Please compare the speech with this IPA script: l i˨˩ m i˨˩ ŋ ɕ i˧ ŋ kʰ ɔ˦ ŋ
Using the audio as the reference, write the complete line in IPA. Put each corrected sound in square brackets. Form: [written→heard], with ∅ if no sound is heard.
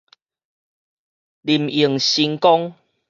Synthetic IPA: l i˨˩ m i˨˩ ŋ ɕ i˧ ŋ [kʰ→k] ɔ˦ ŋ